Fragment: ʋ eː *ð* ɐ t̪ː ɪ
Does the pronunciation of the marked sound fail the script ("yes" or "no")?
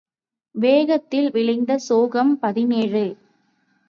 yes